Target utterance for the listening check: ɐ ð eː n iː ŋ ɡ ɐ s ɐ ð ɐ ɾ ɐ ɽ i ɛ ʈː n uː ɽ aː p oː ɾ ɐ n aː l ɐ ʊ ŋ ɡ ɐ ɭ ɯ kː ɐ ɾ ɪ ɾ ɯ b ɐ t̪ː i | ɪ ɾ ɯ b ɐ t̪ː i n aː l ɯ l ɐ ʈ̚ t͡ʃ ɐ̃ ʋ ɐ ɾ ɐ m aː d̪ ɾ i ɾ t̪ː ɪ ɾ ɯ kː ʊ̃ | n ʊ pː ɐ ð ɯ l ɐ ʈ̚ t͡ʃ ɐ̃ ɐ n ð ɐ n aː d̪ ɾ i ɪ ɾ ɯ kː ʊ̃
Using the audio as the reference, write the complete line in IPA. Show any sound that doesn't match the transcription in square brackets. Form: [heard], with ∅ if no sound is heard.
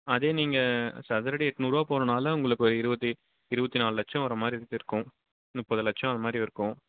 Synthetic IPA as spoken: ɐ ð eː n iː ŋ ɡ ɐ s ɐ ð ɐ ɾ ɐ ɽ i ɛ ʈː n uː [ɾ] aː p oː ɾ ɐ n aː l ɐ ʊ ŋ ɡ ɐ ɭ ɯ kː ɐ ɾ ɪ ɾ ɯ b ɐ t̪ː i | ɪ ɾ ɯ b ɐ t̪ː i n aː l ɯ l ɐ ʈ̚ t͡ʃ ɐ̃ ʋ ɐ ɾ ɐ m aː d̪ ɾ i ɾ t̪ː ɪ ɾ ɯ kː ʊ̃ | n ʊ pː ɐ ð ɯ l ɐ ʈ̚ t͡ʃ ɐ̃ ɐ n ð ɐ [m] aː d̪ ɾ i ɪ ɾ ɯ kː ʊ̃